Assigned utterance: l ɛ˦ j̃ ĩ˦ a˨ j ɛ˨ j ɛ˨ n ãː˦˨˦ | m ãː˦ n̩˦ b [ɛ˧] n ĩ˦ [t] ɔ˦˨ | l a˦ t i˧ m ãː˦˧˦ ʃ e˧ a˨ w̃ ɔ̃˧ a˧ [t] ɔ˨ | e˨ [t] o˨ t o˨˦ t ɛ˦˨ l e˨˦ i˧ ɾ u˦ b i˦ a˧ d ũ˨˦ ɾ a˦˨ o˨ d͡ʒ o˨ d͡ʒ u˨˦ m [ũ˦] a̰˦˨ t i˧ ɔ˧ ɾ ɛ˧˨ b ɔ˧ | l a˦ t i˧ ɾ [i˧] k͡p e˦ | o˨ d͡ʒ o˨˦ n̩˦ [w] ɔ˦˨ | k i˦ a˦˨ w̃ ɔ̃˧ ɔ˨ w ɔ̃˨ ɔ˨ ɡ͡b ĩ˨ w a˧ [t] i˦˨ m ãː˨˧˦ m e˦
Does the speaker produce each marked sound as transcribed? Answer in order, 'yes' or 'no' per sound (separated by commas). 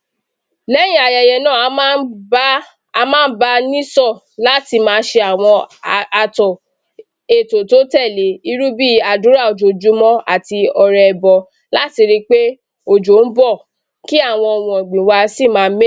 no, no, yes, yes, no, yes, no, no